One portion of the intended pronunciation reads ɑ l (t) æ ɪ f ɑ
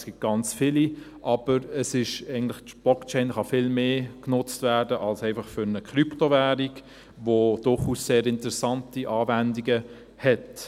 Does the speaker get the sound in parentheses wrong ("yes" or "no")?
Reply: yes